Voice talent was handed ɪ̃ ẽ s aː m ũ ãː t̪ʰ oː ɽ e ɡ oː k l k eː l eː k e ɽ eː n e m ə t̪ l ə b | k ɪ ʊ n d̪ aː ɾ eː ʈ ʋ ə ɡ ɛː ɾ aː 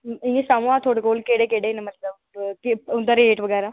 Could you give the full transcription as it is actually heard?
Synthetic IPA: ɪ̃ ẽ s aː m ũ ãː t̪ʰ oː ɽ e k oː l k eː ɽ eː k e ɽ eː n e m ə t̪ l ə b | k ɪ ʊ n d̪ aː ɾ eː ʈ ʋ ə ɡ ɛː ɾ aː